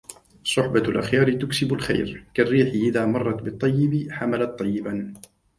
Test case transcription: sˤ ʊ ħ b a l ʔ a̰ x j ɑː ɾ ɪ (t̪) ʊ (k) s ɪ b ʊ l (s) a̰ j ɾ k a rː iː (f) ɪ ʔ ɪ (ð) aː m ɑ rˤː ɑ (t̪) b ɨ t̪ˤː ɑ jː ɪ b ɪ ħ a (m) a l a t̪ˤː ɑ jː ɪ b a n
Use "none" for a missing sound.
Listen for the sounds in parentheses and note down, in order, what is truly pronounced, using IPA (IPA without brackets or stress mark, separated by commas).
t̪, k, x, ħ, ð, t̪, m